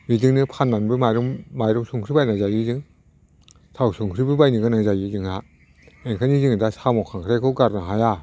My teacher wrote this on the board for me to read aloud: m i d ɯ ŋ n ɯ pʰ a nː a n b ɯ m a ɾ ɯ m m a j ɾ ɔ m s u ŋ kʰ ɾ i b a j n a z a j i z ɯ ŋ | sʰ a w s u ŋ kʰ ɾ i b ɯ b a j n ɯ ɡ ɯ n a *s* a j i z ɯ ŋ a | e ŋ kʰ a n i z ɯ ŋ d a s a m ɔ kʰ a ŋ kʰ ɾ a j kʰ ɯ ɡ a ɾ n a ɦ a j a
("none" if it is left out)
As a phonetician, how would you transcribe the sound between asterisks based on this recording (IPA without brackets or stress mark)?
z